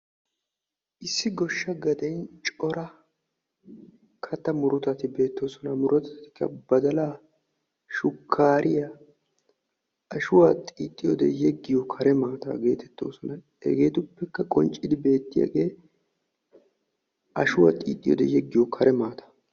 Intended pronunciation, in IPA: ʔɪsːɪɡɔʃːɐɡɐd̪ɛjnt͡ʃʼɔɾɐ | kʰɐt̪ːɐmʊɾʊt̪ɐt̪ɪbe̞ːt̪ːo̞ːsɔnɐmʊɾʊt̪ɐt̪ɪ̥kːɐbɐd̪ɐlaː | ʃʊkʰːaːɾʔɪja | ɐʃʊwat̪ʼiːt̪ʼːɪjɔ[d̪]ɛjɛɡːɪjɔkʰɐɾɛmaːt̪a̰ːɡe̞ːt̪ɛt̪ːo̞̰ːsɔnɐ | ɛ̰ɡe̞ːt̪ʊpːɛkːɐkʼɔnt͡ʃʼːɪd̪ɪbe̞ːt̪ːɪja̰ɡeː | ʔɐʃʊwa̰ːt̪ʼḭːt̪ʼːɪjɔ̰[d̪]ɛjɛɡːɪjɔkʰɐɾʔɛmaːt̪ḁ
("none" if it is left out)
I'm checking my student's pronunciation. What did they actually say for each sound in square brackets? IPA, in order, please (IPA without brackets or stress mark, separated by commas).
d̪, d̪